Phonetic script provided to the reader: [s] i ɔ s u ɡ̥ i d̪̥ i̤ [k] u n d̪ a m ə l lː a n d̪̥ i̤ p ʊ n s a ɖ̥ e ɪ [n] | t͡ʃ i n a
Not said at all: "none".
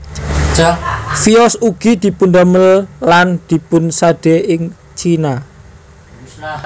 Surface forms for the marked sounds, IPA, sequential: f, p, ŋ

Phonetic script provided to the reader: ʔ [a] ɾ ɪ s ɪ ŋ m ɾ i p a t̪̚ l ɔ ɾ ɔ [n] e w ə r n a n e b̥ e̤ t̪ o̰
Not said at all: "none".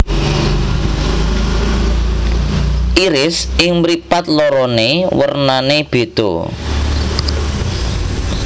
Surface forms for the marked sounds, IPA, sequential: i, n

